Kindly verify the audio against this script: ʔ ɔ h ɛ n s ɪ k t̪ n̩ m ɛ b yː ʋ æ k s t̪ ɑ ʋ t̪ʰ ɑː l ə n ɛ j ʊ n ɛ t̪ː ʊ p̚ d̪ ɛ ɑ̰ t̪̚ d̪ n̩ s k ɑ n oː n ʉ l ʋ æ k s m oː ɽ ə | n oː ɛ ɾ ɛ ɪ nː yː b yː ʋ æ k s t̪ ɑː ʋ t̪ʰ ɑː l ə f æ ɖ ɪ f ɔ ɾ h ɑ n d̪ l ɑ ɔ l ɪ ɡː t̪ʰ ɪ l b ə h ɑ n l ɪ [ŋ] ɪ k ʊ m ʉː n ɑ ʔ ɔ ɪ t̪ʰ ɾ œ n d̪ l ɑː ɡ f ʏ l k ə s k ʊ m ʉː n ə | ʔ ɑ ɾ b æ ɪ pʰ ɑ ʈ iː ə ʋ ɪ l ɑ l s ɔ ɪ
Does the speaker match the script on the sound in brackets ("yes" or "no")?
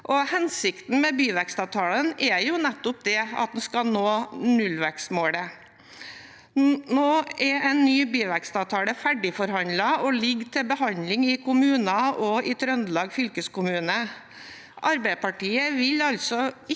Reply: yes